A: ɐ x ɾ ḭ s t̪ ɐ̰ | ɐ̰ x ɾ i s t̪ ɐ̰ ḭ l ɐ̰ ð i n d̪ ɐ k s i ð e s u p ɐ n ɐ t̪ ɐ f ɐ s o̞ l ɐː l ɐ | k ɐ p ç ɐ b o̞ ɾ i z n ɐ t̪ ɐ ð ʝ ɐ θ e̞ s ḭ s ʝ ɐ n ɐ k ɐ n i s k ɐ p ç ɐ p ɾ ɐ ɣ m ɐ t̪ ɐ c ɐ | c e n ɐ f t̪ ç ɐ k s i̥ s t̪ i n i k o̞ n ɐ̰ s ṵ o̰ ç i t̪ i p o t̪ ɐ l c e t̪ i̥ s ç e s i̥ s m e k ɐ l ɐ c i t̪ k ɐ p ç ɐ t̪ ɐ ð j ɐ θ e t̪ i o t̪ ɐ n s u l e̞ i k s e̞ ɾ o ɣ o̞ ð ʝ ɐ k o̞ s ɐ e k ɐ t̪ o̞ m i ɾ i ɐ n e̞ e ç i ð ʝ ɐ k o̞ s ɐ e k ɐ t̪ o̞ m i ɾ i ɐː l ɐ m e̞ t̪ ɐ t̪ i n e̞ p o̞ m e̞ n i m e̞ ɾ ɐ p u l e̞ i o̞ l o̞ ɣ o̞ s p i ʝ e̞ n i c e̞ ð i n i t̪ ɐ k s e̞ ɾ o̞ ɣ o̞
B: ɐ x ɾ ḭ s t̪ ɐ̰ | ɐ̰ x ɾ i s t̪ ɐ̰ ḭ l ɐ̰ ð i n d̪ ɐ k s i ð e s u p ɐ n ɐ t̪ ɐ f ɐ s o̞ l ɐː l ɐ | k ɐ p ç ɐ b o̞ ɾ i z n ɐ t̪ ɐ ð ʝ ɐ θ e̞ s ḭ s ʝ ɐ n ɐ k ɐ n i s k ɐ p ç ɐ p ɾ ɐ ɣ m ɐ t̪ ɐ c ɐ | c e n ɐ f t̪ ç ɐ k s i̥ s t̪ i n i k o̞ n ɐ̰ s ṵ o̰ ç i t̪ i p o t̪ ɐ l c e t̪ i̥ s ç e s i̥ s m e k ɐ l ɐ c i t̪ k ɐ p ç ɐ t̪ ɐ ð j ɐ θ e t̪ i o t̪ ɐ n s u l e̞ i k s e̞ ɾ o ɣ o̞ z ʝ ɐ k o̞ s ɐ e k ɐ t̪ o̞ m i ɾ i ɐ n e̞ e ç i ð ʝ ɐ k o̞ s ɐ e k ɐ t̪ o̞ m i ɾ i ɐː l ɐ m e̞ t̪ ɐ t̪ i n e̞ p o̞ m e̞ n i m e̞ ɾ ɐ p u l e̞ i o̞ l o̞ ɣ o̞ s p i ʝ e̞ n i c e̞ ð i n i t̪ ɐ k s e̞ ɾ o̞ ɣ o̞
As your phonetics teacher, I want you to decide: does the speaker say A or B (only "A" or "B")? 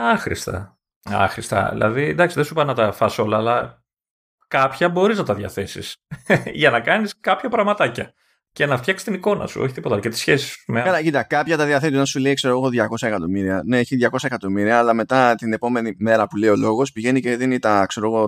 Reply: A